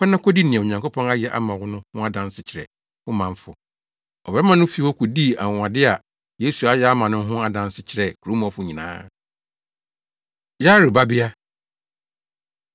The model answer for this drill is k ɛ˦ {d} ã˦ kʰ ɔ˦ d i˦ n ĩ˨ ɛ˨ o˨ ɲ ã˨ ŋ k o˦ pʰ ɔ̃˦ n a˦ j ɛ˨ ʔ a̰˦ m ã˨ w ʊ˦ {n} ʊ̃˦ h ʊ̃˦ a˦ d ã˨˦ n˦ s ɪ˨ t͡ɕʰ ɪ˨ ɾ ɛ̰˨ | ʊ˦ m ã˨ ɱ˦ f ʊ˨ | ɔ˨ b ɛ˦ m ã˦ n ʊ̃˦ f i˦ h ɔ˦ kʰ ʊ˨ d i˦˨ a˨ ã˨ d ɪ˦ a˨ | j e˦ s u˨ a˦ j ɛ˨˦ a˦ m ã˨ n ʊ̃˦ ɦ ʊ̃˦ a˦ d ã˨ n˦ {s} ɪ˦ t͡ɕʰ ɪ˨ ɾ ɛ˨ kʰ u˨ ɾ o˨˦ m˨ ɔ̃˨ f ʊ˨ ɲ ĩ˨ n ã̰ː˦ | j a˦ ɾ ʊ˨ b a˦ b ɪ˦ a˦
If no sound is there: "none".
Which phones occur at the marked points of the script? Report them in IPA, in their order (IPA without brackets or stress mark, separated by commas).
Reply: n, n, s